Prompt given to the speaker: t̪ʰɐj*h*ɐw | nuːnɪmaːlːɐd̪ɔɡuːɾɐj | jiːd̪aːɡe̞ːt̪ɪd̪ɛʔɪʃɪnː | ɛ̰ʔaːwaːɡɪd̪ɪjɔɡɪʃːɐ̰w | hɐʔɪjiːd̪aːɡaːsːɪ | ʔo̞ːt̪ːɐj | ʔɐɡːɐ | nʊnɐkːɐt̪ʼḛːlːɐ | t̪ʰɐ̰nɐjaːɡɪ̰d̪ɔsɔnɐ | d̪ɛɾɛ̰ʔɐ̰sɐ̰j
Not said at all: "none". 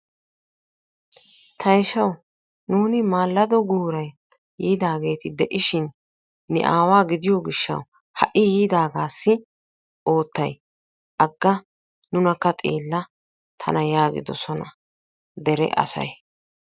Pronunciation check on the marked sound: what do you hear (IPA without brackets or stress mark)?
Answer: ʃ